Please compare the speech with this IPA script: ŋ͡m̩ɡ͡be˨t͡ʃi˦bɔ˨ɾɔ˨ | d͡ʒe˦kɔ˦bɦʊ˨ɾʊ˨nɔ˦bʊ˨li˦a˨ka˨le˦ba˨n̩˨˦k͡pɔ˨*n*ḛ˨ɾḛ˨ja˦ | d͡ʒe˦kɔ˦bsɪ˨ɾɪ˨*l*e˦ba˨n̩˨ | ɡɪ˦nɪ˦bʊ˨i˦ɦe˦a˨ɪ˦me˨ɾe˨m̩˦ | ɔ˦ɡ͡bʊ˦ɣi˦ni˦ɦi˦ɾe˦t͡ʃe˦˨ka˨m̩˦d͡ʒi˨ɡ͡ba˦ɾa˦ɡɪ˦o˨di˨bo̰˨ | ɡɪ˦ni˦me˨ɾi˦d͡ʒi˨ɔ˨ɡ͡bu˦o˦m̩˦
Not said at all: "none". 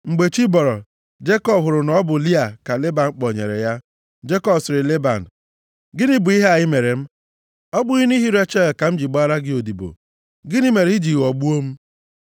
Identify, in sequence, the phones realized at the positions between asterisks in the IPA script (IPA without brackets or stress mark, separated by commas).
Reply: ɲ, l